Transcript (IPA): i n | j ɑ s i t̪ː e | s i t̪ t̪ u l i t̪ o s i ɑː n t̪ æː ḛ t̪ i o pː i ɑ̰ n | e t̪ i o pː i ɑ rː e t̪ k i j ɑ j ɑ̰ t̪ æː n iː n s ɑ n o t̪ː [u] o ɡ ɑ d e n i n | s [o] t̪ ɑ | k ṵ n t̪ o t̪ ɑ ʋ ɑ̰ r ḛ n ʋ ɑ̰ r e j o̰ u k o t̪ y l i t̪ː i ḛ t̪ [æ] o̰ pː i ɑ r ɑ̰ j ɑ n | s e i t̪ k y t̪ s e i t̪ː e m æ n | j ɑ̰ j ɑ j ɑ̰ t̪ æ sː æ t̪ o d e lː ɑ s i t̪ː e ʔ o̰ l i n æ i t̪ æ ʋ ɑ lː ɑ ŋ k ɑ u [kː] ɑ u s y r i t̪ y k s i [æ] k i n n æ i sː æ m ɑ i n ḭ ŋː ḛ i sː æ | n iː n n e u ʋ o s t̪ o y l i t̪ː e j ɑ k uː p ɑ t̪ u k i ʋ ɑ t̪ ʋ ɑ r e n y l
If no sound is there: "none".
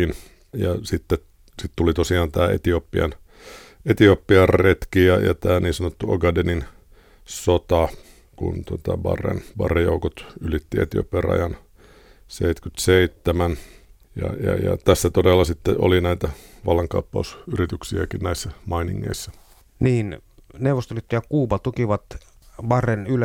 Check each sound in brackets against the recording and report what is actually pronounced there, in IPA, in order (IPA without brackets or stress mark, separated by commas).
u, o, i, pː, æ